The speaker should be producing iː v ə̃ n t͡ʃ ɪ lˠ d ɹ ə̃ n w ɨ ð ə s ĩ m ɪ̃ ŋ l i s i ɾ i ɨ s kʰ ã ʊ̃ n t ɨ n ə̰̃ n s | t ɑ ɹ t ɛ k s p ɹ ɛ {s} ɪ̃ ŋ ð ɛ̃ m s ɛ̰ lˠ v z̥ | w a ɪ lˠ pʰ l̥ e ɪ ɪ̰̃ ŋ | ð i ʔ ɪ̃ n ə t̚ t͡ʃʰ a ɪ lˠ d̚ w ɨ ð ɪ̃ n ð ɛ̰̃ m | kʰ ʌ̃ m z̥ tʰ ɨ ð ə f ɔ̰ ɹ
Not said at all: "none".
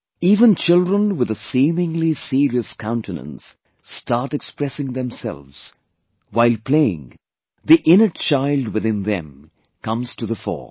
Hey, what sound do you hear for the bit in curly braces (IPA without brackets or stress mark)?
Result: s